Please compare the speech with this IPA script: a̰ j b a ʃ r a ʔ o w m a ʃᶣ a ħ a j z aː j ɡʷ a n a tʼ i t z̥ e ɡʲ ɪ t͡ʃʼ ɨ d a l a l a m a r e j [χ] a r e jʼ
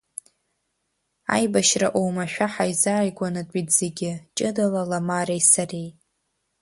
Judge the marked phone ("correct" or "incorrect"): incorrect